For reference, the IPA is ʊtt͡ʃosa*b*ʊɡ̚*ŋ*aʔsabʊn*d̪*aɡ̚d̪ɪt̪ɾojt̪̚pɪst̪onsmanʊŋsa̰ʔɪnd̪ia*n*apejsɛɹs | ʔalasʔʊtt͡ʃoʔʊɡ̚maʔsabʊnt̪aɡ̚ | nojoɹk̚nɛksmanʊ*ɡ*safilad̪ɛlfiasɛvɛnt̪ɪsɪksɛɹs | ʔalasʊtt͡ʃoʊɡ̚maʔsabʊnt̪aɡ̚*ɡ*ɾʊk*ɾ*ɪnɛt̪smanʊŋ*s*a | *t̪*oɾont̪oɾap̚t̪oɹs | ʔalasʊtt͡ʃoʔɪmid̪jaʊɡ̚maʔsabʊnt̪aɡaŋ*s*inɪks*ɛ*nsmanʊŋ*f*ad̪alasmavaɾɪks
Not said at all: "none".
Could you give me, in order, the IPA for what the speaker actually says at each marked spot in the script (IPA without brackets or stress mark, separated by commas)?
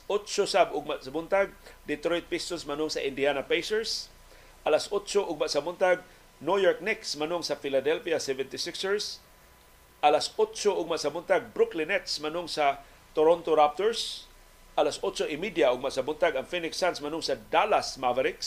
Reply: b, m, t̪, n, ŋ, b, l, s, t̪, f, a, s